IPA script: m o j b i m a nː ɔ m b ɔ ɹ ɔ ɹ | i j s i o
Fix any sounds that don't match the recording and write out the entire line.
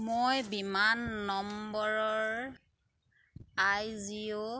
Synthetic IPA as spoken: m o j b i m a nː ɔ m b ɔ ɹ ɔ ɹ | a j z i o